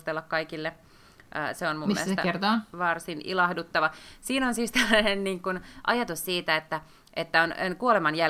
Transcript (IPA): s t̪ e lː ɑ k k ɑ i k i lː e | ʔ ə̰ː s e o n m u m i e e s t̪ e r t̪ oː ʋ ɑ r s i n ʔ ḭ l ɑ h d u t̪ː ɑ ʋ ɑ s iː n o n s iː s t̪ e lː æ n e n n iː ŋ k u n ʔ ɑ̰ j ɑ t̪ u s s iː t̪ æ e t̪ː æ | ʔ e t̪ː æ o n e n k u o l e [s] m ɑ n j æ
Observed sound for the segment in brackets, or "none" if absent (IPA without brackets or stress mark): none